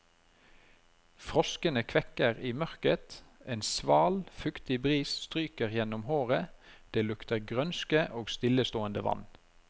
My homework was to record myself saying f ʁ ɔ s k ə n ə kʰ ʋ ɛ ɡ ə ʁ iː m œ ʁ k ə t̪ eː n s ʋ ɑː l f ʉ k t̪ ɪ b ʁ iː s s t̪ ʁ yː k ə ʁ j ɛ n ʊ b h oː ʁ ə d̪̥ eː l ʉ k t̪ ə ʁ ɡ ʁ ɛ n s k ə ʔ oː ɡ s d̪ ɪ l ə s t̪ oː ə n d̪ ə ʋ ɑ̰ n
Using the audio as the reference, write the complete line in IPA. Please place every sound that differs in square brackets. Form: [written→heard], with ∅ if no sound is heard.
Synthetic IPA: f ʁ ɔ s k ə n ə kʰ ʋ ɛ [ɡ→k] ə ʁ iː m œ ʁ k ə t̪ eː n s ʋ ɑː l f ʉ k t̪ ɪ b ʁ iː s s t̪ ʁ yː k ə ʁ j ɛ n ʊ [b→m] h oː ʁ ə d̪̥ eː l ʉ k t̪ ə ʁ ɡ ʁ [ɛ→œ] n s k ə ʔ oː ɡ s [d̪→t̪] ɪ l ə s t̪ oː ə n d̪ ə ʋ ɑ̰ n